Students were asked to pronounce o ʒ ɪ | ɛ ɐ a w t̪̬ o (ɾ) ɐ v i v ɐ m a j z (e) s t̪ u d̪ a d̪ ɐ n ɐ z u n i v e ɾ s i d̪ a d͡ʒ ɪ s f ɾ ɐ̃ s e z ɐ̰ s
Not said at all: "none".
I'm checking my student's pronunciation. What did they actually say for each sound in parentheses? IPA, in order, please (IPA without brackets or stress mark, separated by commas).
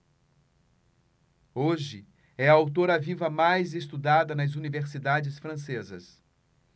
ɾ, e